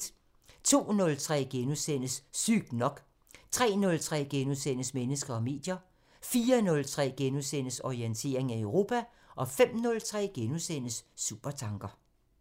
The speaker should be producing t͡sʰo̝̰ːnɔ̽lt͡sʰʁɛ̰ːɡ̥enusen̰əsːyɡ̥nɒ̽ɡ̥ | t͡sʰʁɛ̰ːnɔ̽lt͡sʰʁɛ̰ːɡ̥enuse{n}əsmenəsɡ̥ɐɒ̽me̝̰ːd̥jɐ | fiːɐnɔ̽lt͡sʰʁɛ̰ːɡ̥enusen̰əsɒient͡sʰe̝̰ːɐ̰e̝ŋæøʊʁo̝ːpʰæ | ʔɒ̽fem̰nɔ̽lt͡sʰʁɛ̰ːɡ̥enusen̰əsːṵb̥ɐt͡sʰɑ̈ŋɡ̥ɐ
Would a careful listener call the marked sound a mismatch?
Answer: no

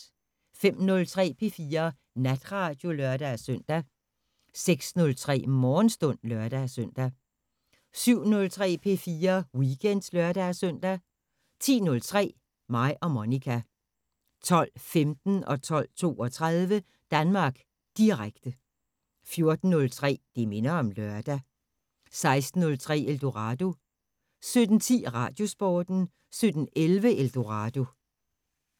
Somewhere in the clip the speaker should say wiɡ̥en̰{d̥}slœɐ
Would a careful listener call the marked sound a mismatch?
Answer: no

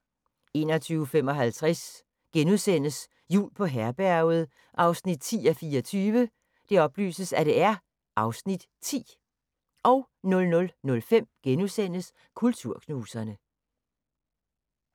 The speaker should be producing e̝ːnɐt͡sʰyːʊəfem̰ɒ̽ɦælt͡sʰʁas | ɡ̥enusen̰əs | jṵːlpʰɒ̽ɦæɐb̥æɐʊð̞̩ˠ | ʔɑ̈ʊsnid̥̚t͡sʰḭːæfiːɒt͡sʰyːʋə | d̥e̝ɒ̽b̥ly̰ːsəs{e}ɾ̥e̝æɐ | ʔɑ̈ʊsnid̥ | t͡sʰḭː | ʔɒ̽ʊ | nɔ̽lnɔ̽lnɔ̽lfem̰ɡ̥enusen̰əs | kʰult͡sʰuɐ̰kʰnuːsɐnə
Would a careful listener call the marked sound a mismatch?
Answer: yes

